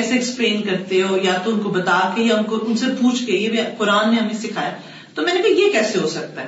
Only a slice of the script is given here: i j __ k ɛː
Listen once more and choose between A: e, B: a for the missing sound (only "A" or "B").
A